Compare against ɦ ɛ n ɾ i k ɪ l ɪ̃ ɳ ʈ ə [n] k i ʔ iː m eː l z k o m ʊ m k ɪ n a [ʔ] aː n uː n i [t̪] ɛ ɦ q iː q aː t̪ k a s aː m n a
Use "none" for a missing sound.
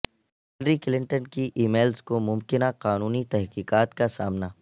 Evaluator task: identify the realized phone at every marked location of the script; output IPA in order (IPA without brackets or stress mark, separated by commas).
n, q, t̪